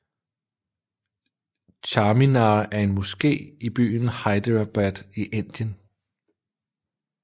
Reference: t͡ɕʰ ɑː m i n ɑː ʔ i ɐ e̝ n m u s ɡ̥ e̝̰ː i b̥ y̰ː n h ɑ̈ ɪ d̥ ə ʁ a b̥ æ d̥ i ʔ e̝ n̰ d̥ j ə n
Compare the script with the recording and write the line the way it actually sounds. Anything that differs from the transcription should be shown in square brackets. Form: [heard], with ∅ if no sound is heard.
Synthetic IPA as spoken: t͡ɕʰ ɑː m i n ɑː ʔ [æ] ɐ e̝ n m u s ɡ̥ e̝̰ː i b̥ y̰ː n h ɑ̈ ɪ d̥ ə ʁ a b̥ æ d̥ i ʔ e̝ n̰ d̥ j ə n